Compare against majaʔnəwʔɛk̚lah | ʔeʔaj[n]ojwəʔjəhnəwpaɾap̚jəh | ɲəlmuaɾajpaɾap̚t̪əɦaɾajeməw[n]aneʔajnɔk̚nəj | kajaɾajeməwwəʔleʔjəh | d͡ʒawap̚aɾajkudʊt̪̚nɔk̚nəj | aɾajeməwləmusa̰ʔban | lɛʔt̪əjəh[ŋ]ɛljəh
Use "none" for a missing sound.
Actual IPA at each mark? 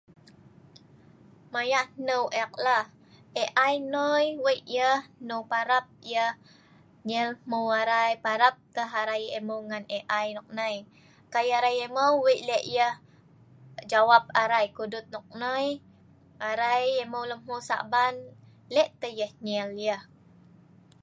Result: n, ŋ, ɲ

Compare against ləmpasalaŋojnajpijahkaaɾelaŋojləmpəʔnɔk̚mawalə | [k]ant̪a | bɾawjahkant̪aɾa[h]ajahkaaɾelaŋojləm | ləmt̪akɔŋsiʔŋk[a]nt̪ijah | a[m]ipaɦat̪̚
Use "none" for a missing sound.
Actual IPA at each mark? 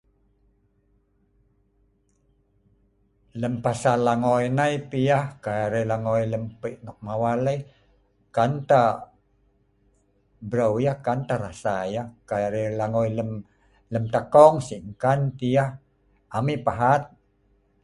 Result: k, s, a, m

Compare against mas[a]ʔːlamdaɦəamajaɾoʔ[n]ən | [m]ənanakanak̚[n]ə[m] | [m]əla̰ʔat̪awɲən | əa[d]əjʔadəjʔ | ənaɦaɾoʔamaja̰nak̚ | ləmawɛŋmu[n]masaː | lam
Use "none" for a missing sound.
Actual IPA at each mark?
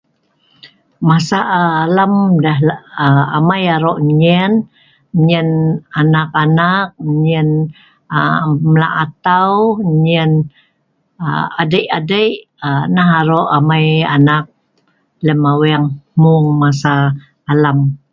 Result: a, ɲ, ɲ, ɲ, n, m, d, ŋ

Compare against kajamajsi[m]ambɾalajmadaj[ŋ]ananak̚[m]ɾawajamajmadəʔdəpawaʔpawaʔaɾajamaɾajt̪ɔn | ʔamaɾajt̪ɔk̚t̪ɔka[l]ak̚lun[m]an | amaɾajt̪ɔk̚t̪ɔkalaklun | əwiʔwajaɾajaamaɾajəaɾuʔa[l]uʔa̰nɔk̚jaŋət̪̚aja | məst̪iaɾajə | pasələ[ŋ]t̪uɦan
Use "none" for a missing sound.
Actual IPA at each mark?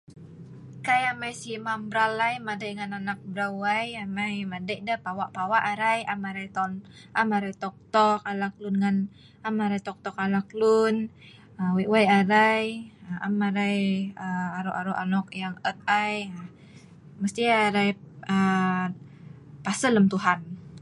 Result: m, ŋ, b, l, ŋ, ɾ, m

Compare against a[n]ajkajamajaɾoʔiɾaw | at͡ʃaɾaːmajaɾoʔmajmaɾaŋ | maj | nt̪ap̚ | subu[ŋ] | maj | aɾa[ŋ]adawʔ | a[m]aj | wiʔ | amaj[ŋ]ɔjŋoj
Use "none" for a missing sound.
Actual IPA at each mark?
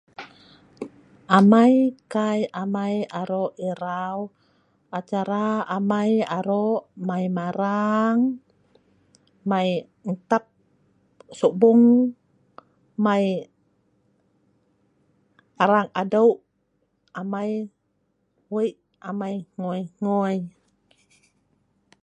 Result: m, ŋ, ŋ, m, ŋ

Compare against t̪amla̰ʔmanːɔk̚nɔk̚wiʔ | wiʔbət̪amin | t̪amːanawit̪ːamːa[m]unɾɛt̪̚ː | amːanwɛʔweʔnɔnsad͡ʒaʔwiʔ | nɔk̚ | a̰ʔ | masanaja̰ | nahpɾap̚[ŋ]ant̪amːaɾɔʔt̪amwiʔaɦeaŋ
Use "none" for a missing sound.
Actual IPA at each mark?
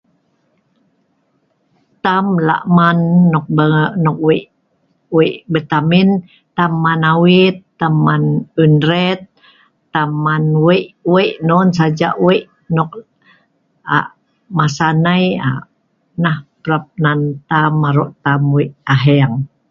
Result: n, n

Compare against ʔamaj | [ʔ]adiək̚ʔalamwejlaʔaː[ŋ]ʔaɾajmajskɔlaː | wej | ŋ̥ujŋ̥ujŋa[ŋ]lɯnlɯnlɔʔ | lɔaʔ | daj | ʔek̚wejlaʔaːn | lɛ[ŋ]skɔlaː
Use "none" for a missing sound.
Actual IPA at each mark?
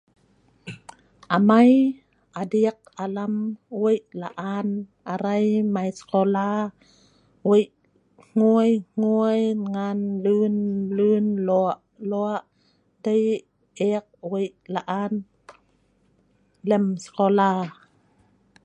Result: ʔ, n, n, m

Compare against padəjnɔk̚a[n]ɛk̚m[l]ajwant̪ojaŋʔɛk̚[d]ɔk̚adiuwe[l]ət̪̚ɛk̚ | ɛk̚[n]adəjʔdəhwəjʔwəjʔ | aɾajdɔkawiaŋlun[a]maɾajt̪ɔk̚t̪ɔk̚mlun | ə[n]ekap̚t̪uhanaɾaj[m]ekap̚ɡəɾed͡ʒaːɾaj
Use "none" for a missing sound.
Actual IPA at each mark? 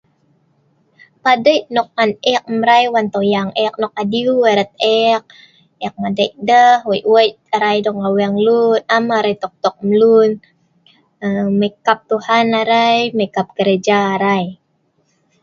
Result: n, ɾ, n, ɾ, m, a, m, m

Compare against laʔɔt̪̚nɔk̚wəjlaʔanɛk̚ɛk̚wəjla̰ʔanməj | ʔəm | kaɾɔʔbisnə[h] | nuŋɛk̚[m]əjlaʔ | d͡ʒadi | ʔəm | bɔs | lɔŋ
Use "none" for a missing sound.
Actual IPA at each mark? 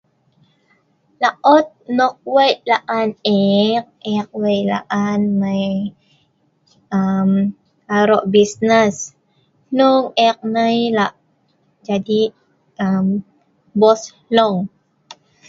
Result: s, n

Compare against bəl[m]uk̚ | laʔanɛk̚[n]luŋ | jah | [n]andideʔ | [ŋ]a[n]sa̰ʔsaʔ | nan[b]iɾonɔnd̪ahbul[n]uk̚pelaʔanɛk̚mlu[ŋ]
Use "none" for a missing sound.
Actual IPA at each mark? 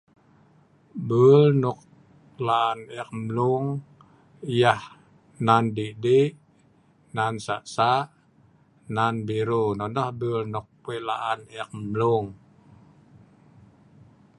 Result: n, m, n, n, n, b, n, ŋ

